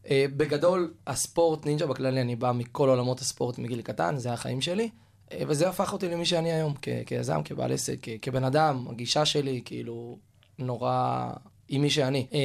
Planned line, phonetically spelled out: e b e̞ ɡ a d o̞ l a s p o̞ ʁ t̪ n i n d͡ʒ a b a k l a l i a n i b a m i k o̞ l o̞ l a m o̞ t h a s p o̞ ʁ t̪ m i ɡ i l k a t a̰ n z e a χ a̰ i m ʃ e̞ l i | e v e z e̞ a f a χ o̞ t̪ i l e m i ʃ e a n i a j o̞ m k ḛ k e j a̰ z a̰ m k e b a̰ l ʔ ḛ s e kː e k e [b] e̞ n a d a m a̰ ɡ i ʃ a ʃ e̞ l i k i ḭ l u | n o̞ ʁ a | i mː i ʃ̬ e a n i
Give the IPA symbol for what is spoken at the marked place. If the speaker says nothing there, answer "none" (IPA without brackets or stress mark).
b